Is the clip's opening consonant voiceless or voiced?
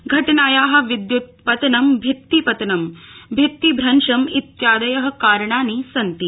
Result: voiced